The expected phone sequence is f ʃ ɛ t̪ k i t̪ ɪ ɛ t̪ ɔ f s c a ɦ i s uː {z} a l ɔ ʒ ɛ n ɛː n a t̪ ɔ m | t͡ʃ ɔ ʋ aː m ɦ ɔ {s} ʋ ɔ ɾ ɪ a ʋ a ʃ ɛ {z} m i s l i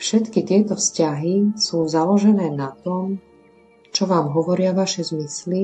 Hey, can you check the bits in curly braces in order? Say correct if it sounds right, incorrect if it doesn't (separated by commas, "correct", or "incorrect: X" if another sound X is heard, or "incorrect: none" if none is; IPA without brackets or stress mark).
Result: correct, incorrect: none, correct